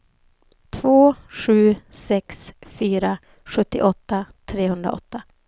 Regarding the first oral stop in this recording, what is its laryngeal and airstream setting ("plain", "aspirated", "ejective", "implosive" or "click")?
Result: aspirated